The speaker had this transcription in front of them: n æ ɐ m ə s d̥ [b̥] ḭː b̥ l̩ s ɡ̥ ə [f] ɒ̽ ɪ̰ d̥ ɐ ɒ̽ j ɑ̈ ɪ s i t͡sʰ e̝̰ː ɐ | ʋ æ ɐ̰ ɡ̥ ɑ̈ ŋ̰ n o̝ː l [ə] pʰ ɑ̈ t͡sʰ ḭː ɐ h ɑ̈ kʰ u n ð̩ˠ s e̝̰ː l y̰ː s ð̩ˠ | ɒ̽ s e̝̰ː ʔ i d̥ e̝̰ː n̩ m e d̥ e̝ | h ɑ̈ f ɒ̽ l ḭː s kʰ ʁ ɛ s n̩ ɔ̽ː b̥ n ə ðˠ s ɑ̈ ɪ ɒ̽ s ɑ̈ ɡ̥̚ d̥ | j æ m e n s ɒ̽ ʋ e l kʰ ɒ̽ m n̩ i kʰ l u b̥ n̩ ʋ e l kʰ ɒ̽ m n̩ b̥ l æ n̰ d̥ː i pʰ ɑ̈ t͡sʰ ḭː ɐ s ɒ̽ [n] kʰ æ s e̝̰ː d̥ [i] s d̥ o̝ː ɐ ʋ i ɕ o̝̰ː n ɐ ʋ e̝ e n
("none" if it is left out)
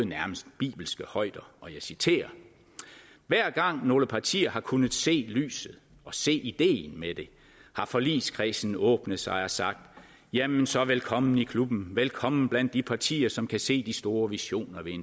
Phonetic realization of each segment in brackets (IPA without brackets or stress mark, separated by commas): b̥, h, ə, m, i